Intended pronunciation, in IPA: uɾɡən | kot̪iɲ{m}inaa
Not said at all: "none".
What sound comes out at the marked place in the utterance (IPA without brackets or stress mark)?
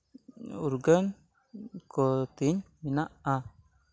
m